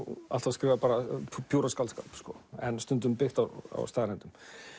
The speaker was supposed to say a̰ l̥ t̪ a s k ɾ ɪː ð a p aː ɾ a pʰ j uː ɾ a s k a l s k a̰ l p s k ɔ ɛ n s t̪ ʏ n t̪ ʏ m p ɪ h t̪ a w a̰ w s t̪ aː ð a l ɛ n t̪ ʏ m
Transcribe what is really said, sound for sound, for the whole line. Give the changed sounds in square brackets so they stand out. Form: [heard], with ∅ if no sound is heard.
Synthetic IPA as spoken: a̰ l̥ t̪ a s k ɾ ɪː [v] a p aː ɾ a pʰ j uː ɾ a s k a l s k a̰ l p s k ɔ ɛ n s t̪ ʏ n t̪ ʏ m p ɪ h t̪ a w a̰ w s t̪ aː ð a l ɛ n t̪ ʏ m